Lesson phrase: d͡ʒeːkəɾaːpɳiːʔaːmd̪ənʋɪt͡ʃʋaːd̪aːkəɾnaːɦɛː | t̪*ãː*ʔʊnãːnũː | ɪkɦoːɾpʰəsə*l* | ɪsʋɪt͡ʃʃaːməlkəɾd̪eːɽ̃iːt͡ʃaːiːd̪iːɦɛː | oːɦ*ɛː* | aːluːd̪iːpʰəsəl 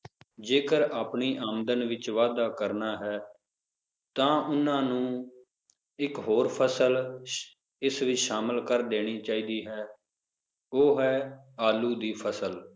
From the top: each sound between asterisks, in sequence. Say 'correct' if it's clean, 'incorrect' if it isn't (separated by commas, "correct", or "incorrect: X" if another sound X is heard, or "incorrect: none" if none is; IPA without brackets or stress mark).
correct, correct, correct